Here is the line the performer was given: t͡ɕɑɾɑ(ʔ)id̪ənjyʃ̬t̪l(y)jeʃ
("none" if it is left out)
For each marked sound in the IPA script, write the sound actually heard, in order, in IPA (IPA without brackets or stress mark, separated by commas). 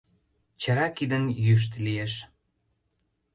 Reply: k, i